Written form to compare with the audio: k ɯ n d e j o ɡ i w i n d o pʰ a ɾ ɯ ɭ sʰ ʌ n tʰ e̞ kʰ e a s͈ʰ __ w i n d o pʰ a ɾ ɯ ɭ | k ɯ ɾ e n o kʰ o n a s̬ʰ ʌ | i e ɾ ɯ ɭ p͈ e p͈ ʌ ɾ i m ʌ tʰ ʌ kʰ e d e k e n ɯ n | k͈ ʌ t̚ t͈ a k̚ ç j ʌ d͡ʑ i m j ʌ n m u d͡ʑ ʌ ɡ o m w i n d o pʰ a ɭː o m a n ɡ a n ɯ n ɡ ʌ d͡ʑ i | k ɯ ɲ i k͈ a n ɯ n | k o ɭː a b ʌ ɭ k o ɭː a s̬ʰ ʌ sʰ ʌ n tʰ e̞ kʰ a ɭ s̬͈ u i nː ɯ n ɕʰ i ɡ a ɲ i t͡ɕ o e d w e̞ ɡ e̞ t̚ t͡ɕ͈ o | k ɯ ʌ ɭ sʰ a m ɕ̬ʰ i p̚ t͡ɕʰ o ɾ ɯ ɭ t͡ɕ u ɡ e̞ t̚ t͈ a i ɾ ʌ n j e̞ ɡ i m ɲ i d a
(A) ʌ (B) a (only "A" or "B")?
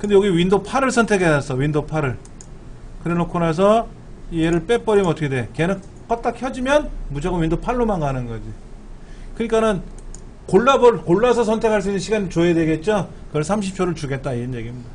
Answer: A